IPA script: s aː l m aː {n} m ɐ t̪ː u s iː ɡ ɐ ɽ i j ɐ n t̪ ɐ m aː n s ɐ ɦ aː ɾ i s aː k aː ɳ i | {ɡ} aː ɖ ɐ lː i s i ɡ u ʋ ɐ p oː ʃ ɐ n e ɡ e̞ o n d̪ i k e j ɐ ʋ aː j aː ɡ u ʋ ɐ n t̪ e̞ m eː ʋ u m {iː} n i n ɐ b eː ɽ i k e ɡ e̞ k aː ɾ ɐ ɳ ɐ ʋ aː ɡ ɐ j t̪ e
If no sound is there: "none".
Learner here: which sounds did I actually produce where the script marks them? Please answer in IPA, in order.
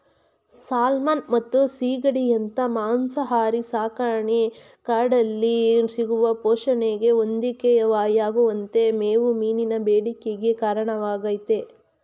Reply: n, k, iː

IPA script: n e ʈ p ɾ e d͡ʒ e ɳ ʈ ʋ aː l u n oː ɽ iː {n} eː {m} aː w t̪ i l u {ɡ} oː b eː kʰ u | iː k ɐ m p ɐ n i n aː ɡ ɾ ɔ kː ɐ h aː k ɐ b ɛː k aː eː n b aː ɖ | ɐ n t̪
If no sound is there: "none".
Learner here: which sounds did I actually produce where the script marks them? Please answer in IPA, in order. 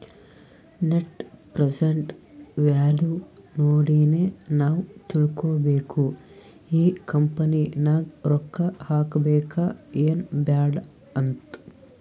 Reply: n, n, k

